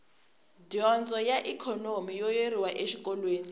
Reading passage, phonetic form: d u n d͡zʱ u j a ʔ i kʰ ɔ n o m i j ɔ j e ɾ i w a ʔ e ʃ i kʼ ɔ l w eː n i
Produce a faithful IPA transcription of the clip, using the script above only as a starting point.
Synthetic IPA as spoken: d ɔ n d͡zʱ ɔ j a ʔ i kʰ ɔ n o m i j ɔ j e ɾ i w a ʔ e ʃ i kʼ ɔ l w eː n i